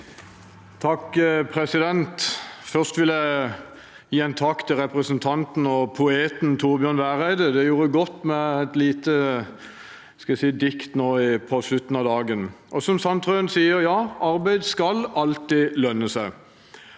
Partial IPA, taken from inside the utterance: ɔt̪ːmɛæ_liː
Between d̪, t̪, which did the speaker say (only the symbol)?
t̪